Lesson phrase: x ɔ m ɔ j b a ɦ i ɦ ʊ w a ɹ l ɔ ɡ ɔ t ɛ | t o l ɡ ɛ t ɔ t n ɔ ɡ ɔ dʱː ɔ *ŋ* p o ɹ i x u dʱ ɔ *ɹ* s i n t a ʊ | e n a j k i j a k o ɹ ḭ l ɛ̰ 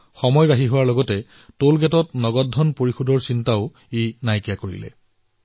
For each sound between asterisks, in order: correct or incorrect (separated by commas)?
incorrect, correct